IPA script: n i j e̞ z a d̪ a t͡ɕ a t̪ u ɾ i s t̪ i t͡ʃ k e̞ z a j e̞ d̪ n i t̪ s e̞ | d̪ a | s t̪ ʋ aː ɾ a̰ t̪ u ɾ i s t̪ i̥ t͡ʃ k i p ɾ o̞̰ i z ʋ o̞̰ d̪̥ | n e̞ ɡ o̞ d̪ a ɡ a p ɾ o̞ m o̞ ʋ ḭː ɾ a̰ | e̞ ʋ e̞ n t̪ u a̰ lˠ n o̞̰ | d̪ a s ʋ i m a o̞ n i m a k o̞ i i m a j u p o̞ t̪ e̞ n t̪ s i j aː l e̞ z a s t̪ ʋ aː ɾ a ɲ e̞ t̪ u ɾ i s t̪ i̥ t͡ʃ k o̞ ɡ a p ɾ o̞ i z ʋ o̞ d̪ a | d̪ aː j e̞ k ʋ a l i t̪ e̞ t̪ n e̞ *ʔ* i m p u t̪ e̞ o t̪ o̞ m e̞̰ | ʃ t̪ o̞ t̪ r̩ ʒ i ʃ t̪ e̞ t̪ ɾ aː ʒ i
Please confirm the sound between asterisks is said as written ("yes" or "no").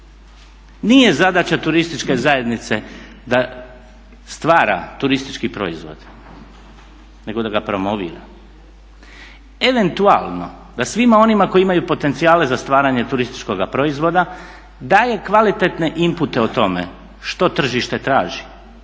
yes